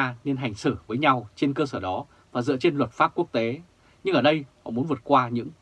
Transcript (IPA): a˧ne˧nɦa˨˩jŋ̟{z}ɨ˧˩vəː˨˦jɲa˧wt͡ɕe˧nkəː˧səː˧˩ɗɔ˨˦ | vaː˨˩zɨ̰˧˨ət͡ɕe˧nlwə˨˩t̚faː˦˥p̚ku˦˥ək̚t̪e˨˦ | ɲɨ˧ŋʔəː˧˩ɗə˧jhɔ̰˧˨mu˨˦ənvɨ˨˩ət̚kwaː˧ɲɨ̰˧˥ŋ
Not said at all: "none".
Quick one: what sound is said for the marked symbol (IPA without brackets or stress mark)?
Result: s